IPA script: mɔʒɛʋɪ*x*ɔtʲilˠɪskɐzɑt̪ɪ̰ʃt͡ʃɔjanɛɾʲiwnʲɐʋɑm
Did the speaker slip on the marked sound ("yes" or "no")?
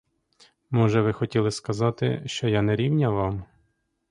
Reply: no